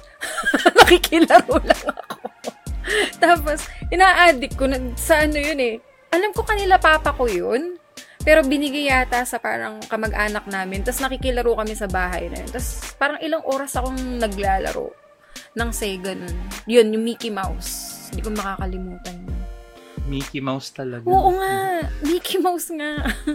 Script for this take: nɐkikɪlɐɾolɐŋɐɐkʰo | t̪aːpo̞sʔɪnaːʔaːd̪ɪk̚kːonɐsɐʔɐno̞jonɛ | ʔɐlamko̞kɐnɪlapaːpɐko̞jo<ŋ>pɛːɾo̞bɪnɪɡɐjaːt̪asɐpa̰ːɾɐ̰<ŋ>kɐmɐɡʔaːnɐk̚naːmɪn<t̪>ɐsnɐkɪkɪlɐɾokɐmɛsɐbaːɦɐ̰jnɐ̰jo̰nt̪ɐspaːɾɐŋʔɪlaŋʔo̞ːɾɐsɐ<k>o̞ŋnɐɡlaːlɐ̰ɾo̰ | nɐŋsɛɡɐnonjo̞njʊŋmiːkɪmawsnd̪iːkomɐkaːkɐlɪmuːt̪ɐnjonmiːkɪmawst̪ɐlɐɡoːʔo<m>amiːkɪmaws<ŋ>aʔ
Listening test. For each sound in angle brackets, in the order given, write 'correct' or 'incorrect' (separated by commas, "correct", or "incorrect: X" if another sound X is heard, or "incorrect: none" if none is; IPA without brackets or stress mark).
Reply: incorrect: n, correct, correct, correct, incorrect: ŋ, correct